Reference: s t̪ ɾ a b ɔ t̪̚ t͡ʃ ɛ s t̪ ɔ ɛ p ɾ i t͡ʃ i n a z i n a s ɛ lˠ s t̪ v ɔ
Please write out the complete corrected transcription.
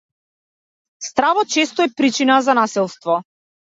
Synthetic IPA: s t̪ ɾ a v ɔ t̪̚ t͡ʃ ɛ s t̪ ɔ ɛ p ɾ i t͡ʃ i n a z a n a s ɛ lˠ s t̪ v ɔ